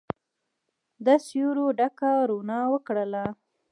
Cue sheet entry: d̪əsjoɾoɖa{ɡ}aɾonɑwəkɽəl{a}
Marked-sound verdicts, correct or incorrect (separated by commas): incorrect, correct